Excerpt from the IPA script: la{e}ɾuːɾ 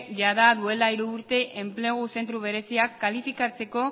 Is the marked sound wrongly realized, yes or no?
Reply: yes